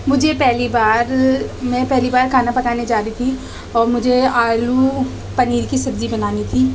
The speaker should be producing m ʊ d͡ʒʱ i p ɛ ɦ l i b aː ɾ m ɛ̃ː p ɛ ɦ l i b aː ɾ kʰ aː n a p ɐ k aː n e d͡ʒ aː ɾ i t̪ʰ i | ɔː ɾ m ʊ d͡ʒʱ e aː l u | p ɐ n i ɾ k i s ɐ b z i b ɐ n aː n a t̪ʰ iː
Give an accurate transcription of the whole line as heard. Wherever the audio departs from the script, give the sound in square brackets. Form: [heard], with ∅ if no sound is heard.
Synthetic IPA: m ʊ d͡ʒʱ [e] p ɛ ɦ l i b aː ɾ m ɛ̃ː p ɛ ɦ l i b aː ɾ kʰ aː n a p ɐ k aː n e d͡ʒ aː ɾ i t̪ʰ i | ɔː ɾ m ʊ d͡ʒʱ e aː l u | p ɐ n [iː] ɾ k i s ɐ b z i b ɐ n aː n [i] t̪ʰ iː

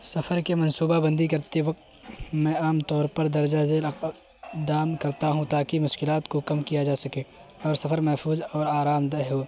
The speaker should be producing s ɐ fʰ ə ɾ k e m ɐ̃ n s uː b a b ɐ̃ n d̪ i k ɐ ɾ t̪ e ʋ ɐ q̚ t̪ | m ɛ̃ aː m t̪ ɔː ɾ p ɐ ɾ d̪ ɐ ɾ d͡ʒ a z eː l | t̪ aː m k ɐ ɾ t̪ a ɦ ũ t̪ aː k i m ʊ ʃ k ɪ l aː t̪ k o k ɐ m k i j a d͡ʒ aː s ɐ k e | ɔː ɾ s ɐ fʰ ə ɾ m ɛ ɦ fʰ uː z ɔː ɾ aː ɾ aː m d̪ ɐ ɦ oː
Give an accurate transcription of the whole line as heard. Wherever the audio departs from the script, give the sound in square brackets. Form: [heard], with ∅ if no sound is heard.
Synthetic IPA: s ɐ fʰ ə ɾ k e m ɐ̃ n s uː b a b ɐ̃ n d̪ i k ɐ ɾ t̪ e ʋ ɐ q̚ t̪ | m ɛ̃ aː m t̪ ɔː ɾ p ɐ ɾ d̪ ɐ ɾ d͡ʒ a z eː l | [d̪] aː m k ɐ ɾ t̪ a ɦ ũ t̪ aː k i m ʊ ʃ k ɪ l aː t̪ k o k ɐ m k i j a d͡ʒ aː s ɐ k e | ɔː ɾ s ɐ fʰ ə ɾ m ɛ ɦ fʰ uː z ɔː ɾ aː ɾ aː m d̪ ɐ ɦ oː

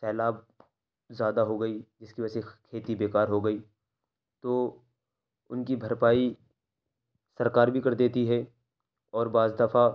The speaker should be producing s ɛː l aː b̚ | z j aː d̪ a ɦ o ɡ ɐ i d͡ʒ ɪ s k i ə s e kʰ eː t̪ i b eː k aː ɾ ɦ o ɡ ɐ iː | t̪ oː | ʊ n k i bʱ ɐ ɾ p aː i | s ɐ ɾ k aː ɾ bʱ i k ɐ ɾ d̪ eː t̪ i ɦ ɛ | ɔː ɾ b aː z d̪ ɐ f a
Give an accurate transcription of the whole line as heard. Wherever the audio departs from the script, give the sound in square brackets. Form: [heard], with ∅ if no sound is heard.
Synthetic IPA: s ɛː l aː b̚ | z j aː d̪ a ɦ o ɡ ɐ i d͡ʒ ɪ s k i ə s e kʰ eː t̪ i b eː k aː ɾ ɦ o ɡ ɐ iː | t̪ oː | ʊ n k i bʱ ɐ ɾ p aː i | s ɐ ɾ k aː ɾ bʱ i k ɐ ɾ d̪ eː t̪ i ɦ ɛ | ɔː ɾ b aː z d̪ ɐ f a

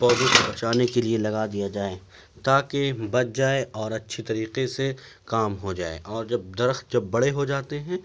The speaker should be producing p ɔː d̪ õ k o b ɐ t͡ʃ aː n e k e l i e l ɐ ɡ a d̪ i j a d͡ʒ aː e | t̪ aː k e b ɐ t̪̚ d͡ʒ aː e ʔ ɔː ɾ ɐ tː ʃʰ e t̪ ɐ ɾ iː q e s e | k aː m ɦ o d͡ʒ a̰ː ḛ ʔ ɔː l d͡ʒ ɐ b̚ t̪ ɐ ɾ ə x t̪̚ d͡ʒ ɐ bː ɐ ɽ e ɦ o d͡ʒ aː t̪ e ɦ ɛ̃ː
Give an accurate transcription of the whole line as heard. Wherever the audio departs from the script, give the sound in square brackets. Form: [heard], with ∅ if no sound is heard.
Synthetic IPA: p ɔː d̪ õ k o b ɐ t͡ʃ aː n e k e l i e l ɐ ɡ a d̪ i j a d͡ʒ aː e | t̪ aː k e b ɐ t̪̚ d͡ʒ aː e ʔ ɔː ɾ ɐ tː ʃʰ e t̪ ɐ ɾ iː q e s e | k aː m ɦ o d͡ʒ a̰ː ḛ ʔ ɔː [ɾ] d͡ʒ ɐ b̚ [d̪] ɐ ɾ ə x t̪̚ d͡ʒ ɐ bː ɐ ɽ e ɦ o d͡ʒ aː t̪ e ɦ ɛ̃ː

